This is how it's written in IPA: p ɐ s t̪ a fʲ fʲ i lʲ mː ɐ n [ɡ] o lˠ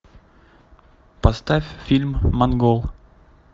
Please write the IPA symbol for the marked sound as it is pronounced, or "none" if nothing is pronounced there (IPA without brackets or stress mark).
ɡ